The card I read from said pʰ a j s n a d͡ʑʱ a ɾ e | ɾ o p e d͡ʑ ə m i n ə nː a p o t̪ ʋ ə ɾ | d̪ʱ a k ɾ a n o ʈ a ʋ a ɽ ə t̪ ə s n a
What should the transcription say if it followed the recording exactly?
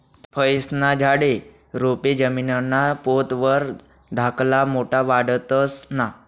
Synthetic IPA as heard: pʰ ə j s n a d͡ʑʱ a ɽ e | ɾ o p e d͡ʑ ə m i n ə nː a p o t̪ ʋ ə ɾ | d̪ʱ a k l a m o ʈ a ʋ a ɽ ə t̪ ə s n a

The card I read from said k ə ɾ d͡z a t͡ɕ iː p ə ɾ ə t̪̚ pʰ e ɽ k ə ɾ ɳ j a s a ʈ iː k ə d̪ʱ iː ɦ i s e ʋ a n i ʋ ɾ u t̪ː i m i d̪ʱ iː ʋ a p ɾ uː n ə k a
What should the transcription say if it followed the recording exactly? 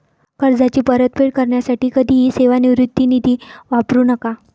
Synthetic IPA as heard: k ə ɾ d͡z a t͡ɕ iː p ə ɾ ə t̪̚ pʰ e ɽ k ə ɾ ɳ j a s a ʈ iː k ə d̪ʱ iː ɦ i s e ʋ a n i ʋ ɾ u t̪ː i n i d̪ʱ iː ʋ a p ɾ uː n ə k a

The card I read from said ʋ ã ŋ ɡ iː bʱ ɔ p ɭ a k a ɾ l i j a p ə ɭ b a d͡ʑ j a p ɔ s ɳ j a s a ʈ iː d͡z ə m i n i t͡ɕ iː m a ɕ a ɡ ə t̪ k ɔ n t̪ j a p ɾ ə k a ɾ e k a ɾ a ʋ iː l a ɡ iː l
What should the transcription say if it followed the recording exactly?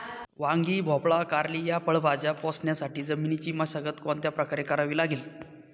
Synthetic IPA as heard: ʋ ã ŋ ɡ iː bʱ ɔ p ɭ a k a ɾ l i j a p ə ɭ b a d͡ʑ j a p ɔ s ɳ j a s a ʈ iː d͡z ə m i n i t͡ɕ iː m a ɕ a ɡ ə t̪ k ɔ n t̪ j a p ɾ ə k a ɾ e k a ɾ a ʋ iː l a ɡ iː l

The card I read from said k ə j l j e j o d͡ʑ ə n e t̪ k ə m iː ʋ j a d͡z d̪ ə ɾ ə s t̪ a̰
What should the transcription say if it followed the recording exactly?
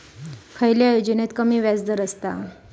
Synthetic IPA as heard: kʰ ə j l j a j o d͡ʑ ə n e t̪ k ə m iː ʋ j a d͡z d̪ ə ɾ ə s t̪ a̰

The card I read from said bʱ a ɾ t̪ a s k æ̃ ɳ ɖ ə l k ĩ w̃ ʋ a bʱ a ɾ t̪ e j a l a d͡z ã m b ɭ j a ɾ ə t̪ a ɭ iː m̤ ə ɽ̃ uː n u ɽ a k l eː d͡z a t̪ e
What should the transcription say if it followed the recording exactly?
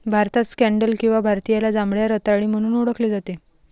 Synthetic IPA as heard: bʱ a ɾ t̪ a s k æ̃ ɳ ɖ ə l k ĩ w̃ ʋ a bʱ a ɾ t̪ i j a l a d͡z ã m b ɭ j a ɾ ə t̪ a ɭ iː m̤ ə ɽ̃ uː n u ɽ ə k l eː d͡z a t̪ e

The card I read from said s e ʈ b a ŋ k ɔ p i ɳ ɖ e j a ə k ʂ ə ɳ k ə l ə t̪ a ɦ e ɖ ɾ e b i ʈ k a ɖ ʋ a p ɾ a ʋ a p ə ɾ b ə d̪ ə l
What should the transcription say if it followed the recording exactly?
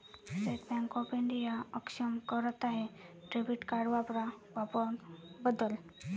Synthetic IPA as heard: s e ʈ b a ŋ k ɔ p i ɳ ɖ i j a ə k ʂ ə m k ə ɾ ə t̪ a ɦ e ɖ ɾ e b i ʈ k a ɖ ʋ a p ɾ a ʋ a p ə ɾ b ə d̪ ə l

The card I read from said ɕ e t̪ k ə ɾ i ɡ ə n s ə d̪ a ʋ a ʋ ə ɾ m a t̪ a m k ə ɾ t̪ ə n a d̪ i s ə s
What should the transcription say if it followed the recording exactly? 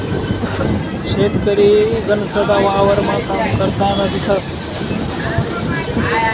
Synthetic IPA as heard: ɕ e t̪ k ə ɾ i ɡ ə n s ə d̪ a ʋ a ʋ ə ɾ m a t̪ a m k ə ɾ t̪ a n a d̪ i s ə s

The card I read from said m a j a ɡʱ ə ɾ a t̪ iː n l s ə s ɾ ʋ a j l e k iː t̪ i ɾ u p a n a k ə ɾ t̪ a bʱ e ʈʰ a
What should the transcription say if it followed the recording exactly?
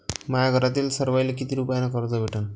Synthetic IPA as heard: m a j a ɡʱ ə ɾ a t̪ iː l s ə ɾ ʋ a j l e k i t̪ i ɾ u p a n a k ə ɾ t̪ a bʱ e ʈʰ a

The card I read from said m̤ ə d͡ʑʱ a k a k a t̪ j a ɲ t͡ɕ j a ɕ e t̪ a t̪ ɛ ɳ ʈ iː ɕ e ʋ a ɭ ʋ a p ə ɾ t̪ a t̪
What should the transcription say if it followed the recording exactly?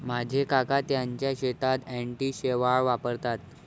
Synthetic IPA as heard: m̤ a d͡ʑʱ e k a k a t̪ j a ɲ t͡ɕ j a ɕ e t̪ a t̪ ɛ ɳ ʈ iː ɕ e ʋ a ɭ ʋ a p ə ɾ t̪ a t̪

